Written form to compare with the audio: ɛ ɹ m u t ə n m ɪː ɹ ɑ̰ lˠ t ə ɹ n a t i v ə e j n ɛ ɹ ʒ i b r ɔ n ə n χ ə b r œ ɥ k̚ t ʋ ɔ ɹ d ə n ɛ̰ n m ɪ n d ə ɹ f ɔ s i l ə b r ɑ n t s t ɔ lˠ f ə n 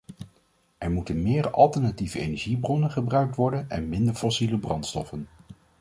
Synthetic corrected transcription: ɛ ɹ m u t ə n m ɪː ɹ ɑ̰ lˠ t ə ɹ n a t i v ə e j n ɛ ɹ ʒ i b r ɔ n ə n χ ə b r œ ɥ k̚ t ʋ ɔ ɹ d ə n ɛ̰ n m ɪ n d ə ɹ f ɔ s i l ə b r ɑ n t s t ɔ f ə n